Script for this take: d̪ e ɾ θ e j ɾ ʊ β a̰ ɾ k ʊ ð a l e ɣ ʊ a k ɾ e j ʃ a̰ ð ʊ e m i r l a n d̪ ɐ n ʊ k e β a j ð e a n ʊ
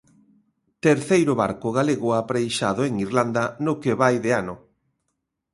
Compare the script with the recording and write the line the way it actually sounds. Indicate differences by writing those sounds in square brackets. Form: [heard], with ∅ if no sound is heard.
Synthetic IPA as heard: [t̪] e ɾ θ e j ɾ ʊ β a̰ ɾ k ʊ [ɣ] a l e ɣ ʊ a [p] ɾ e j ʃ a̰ ð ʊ e [ŋ] i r l a n d̪ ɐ n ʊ k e β a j ð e a n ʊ

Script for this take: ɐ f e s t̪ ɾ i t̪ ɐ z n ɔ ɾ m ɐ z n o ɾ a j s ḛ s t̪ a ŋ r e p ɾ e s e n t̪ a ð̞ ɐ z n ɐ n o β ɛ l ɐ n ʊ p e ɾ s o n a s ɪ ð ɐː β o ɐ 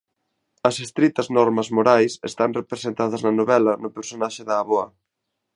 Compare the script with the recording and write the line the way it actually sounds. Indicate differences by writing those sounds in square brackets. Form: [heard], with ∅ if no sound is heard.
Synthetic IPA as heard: ɐ [s] e s t̪ ɾ i t̪ ɐ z n ɔ ɾ m ɐ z [m] o ɾ a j s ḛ s t̪ a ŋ r e p ɾ e s e n t̪ a ð̞ ɐ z n ɐ n o β ɛ l ɐ n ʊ p e ɾ s o n a [ʃ] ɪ ð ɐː β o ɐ

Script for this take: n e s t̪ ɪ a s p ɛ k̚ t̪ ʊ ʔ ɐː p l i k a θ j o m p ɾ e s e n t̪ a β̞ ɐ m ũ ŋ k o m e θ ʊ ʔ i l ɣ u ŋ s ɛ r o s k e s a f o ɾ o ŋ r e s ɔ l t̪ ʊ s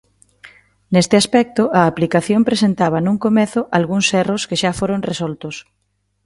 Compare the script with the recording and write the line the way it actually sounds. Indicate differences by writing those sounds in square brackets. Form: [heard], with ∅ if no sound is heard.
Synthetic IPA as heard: n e s t̪ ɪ a s p ɛ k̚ t̪ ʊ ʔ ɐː p l i k a θ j o m p ɾ e s e n t̪ a β̞ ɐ [n] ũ ŋ k o m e θ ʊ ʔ [a] l ɣ u ŋ s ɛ r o s k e [ʃ] a f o ɾ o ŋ r e s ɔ l t̪ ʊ s

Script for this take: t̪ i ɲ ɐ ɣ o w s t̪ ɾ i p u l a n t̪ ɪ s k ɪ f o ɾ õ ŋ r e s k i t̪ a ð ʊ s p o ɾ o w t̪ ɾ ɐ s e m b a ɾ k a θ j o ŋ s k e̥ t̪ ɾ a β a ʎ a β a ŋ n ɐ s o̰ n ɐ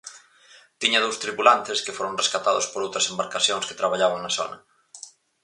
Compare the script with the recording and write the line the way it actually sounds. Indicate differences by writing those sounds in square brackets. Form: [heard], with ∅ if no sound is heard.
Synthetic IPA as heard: t̪ i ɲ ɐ [ð] o w s t̪ ɾ i p u l a n t̪ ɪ s k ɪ f o ɾ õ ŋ r e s k [a] t̪ a ð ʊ s p o ɾ o w t̪ ɾ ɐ s e m b a ɾ k a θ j o ŋ s k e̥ t̪ ɾ a β a ʎ a β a ŋ n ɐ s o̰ n ɐ

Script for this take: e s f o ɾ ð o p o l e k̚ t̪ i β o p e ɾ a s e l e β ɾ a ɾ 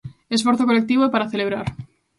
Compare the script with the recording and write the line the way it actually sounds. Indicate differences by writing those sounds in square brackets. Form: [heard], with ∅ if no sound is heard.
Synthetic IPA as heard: e s f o ɾ [θ] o [k] o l e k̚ t̪ i β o p [a] ɾ a [θ] e l e β ɾ a ɾ

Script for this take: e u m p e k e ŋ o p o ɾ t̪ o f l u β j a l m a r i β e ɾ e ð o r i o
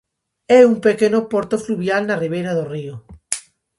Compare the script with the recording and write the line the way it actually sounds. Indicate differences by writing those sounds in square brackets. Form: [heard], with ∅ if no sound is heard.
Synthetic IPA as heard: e u m p e k e [n] o p o ɾ t̪ o f l u β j a l [n] a r i β e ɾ [a] ð o r i o

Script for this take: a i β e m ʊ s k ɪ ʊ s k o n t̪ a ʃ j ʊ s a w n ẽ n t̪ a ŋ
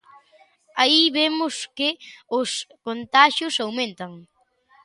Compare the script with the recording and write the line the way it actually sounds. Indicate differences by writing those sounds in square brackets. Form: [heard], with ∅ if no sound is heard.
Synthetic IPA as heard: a i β e m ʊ s k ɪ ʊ s k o n t̪ a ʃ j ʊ s a w [m] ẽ n t̪ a ŋ

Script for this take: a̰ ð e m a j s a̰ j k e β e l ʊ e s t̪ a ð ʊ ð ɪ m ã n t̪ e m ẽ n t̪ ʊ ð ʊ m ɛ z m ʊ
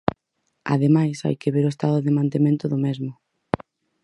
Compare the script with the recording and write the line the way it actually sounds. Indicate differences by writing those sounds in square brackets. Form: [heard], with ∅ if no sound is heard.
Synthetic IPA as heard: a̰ ð e m a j s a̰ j k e β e [ɾ] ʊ e s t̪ a ð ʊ ð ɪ m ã n t̪ e m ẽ n t̪ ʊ ð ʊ m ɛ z m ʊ

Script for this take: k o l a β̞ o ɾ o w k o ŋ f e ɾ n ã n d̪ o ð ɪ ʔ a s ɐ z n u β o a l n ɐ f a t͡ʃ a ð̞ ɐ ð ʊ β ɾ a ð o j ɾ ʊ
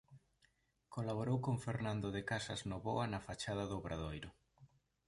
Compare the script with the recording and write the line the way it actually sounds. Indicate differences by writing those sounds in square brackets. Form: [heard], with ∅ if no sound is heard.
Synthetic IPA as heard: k o l a β̞ o ɾ o w k o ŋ f e ɾ n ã n d̪ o ð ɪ [k] a s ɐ z n [o] β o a [∅] n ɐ f a t͡ʃ a ð̞ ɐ ð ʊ β ɾ a ð o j ɾ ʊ

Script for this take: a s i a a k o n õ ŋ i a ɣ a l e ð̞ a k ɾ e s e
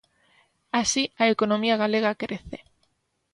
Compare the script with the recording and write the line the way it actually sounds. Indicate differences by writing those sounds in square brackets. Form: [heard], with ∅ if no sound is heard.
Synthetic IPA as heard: a s i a [e] k o n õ [m] i a ɣ a l e [ɣ̞] a k ɾ e [θ] e

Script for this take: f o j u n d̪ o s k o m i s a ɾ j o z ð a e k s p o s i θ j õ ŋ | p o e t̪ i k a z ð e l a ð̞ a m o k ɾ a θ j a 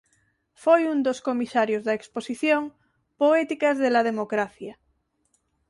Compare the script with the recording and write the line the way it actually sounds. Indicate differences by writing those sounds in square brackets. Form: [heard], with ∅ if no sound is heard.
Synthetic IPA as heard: f o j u n d̪ o s k o m i s a ɾ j o z ð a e k s p o s i θ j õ ŋ | p o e t̪ i k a z ð e l a ð̞ [e] m o k ɾ a θ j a

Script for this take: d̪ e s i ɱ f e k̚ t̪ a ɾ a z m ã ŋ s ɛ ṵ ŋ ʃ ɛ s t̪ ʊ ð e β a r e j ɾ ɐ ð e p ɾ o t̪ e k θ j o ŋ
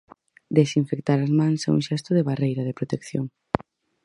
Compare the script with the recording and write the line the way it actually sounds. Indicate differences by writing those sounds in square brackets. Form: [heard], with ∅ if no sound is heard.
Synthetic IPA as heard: d̪ e s i ɱ f e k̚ t̪ a ɾ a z m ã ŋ s ɛ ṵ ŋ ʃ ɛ s t̪ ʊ ð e β a r e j ɾ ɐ ð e p ɾ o t̪ e k θ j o ŋ

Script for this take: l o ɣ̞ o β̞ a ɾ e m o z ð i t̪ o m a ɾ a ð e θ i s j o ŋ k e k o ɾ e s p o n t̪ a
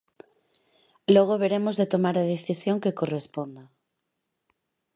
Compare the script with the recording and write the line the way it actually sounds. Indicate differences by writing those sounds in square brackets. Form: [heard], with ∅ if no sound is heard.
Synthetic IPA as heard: l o ɣ̞ o β̞ [e] ɾ e m o z ð [e] t̪ o m a ɾ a ð e θ i s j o ŋ k e k o [r] e s p o n [d̪] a

